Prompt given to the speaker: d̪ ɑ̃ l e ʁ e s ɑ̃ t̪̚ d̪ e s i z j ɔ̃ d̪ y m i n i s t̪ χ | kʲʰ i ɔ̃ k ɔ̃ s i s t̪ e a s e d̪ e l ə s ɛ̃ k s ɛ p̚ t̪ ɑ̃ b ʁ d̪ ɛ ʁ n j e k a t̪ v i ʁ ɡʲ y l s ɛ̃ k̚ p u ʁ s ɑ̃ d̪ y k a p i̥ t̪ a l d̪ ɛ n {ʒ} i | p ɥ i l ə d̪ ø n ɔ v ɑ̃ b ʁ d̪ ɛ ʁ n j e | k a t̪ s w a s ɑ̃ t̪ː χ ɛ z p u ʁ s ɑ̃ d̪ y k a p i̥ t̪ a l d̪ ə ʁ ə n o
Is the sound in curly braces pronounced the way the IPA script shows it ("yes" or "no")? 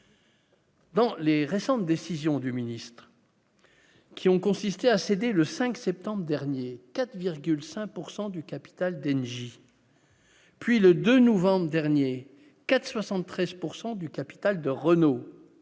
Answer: yes